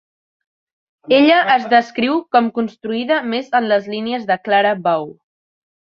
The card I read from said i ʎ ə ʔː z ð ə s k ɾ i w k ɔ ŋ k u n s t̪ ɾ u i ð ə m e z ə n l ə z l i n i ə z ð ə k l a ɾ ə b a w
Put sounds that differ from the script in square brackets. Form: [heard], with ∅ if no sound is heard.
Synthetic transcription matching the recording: [e] ʎ ə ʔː z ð ə s k ɾ i w k ɔ [m] k u n s t̪ ɾ u i ð ə m e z ə n l ə z l i n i ə z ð ə k l a ɾ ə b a w